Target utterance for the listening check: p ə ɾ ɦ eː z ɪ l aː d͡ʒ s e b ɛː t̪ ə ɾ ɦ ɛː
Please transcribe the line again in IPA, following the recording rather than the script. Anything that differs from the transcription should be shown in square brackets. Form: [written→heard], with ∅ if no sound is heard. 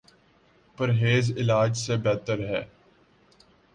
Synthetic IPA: p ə ɾ ɦ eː z ɪ l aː d͡ʒ s e b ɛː t̪ ə ɾ ɦ ɛː